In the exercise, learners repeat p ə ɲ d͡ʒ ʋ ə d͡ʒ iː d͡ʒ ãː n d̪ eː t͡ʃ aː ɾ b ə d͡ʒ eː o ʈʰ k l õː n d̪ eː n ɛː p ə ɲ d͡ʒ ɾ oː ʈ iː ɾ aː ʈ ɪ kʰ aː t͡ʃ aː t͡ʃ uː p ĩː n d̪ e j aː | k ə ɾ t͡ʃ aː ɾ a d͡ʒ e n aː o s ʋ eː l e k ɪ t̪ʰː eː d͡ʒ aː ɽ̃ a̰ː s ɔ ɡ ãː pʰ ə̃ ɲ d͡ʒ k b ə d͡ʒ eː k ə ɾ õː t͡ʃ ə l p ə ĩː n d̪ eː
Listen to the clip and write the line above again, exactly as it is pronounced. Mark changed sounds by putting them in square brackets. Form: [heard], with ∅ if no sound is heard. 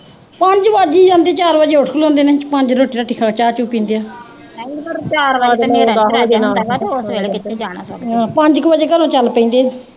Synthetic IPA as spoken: p ə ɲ d͡ʒ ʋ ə d͡ʒ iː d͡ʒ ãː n d̪ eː t͡ʃ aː ɾ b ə d͡ʒ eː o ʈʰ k l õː n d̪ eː n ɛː p ə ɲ d͡ʒ ɾ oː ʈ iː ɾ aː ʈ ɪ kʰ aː t͡ʃ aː t͡ʃ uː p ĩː n d̪ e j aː | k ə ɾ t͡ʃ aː ɾ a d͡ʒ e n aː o s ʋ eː l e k ɪ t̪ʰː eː d͡ʒ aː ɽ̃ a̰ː s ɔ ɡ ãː [p] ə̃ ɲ d͡ʒ k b ə d͡ʒ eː k ə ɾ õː t͡ʃ ə l p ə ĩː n d̪ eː